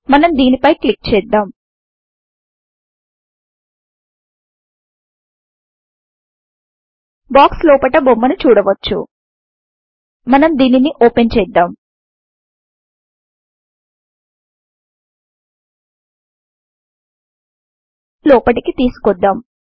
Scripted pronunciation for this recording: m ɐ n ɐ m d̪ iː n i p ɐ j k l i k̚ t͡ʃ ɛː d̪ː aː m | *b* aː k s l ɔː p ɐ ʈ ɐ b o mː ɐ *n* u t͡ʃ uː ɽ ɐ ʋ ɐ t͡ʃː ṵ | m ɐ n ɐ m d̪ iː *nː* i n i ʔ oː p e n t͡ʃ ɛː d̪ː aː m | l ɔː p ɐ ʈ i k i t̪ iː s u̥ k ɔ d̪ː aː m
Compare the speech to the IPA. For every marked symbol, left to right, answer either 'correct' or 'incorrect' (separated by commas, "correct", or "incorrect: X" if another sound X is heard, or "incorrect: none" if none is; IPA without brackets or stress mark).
correct, correct, incorrect: n